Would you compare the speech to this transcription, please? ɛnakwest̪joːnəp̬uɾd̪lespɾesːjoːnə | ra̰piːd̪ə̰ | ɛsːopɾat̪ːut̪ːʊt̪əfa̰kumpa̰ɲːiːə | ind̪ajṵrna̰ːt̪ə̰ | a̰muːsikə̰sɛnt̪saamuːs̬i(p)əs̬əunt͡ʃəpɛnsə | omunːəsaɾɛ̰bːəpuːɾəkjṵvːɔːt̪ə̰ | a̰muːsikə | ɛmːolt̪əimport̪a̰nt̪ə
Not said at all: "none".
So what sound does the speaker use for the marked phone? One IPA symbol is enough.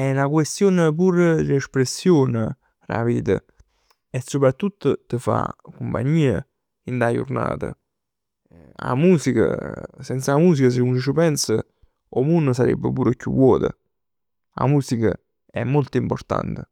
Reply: k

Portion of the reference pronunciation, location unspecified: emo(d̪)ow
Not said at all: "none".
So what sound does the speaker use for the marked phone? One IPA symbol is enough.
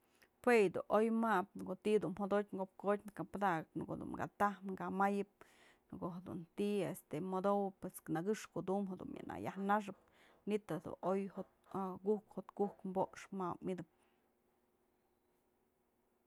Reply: d̪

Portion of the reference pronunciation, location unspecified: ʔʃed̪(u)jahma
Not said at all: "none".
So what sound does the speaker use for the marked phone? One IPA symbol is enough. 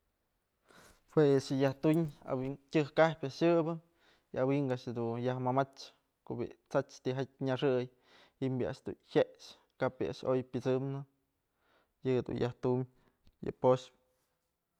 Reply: u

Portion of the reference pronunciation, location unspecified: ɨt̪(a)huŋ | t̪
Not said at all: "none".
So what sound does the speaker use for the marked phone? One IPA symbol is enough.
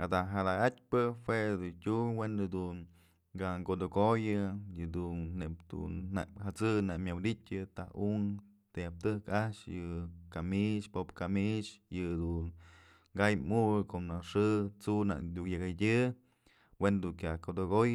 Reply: a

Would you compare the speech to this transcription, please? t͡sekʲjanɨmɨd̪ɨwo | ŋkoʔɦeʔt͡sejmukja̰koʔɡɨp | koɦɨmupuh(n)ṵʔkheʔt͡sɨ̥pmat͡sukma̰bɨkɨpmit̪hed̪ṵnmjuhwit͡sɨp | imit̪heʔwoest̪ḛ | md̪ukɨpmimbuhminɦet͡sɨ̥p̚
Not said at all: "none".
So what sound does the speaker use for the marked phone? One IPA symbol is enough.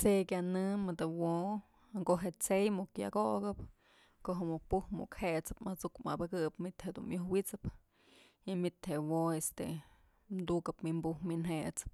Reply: m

